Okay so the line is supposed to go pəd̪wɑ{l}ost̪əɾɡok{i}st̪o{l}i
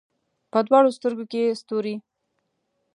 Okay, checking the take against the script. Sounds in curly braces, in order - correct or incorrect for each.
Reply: incorrect, incorrect, incorrect

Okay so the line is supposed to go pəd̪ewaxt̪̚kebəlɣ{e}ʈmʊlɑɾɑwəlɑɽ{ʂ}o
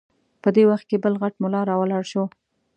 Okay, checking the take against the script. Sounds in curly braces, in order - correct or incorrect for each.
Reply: incorrect, incorrect

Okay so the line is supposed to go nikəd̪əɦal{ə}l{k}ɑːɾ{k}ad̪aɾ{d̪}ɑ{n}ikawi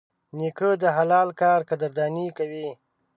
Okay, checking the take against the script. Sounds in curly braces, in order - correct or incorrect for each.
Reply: incorrect, correct, correct, correct, correct

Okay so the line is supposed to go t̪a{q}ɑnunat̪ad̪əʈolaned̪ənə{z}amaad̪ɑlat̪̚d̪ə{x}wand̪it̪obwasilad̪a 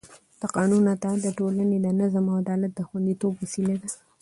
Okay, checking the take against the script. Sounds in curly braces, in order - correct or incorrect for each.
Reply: correct, correct, correct

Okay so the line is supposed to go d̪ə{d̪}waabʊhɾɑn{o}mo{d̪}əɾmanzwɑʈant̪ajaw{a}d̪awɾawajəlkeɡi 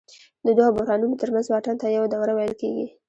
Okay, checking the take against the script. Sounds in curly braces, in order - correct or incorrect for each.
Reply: correct, incorrect, incorrect, correct

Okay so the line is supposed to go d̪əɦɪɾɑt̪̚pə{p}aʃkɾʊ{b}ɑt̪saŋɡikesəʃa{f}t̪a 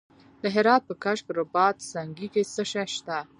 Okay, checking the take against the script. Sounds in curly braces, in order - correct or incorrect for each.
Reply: incorrect, correct, incorrect

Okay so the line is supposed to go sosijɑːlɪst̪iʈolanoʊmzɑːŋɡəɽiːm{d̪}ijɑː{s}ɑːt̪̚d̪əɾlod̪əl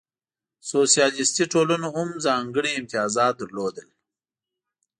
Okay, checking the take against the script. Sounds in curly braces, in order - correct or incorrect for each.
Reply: incorrect, incorrect

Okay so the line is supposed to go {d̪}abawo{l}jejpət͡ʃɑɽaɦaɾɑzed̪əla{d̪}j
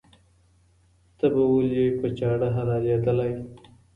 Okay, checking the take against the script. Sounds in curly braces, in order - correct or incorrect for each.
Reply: incorrect, correct, incorrect

